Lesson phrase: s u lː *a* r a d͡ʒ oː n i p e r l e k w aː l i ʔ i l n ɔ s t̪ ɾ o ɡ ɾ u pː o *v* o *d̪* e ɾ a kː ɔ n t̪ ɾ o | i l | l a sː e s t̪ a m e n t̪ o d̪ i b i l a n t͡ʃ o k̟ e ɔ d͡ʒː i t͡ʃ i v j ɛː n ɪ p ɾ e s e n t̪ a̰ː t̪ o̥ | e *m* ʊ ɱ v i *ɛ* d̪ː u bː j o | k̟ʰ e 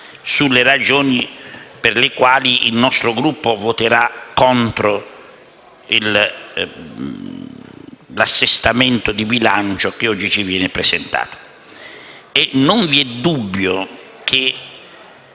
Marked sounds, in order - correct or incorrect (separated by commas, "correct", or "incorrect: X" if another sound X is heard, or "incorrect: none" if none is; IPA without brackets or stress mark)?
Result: incorrect: e, correct, incorrect: t̪, incorrect: n, correct